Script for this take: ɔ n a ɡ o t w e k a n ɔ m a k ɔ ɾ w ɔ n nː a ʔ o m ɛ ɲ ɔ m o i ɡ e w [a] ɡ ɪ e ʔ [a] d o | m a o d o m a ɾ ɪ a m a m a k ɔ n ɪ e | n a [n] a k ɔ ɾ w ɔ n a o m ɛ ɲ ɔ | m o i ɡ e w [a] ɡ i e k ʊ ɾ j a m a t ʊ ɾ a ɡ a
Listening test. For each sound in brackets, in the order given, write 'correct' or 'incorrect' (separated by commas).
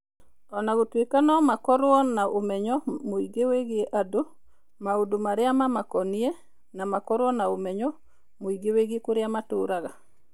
incorrect, correct, incorrect, incorrect